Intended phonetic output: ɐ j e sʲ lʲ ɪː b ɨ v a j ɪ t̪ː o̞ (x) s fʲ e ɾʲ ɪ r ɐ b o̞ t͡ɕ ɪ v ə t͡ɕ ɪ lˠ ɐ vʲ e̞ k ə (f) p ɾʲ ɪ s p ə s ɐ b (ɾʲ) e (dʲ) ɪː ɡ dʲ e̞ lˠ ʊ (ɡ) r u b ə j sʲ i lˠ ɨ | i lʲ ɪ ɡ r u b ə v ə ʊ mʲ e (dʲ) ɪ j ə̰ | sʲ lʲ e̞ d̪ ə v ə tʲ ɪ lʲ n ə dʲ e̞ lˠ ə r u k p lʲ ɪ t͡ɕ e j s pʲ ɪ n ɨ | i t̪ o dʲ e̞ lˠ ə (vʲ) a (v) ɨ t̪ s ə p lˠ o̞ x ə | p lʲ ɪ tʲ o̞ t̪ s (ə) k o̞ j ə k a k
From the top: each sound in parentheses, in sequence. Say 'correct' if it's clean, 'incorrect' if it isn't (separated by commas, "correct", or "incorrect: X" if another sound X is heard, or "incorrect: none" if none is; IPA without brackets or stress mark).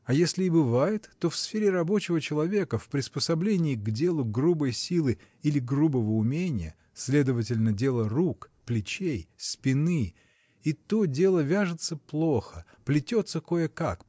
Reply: incorrect: f, correct, incorrect: lʲ, incorrect: nʲ, correct, incorrect: nʲ, correct, incorrect: ʐ, correct